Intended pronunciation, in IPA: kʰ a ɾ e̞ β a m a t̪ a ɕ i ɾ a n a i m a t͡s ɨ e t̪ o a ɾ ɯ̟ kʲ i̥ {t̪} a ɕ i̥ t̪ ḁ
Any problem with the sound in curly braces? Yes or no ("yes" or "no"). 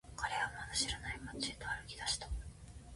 yes